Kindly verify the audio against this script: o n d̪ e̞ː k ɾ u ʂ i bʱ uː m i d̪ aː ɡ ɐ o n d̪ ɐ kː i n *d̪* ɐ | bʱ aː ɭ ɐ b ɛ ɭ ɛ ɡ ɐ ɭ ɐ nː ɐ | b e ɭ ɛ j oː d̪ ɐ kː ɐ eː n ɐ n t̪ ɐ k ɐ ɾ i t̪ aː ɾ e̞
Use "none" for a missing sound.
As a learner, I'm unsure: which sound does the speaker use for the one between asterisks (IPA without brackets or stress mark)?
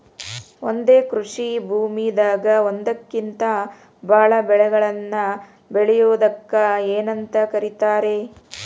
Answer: t̪